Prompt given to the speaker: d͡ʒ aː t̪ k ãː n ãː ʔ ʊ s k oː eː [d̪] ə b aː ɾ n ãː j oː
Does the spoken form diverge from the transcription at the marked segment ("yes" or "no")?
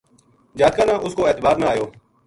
yes